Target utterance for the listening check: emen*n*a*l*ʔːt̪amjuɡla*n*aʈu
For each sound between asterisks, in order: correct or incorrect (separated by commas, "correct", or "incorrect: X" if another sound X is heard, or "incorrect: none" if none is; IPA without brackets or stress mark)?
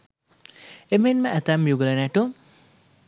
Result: incorrect: m, incorrect: none, correct